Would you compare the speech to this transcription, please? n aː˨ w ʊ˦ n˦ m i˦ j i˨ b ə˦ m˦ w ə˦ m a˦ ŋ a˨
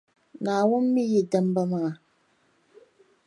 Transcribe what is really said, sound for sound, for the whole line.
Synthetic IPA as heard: n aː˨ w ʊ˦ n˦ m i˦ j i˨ d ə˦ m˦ b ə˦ m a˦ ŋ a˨